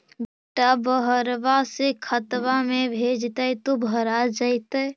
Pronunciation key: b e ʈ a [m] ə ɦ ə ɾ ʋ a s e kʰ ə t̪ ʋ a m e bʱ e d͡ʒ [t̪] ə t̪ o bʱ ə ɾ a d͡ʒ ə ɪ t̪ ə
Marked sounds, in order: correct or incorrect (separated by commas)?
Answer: incorrect, correct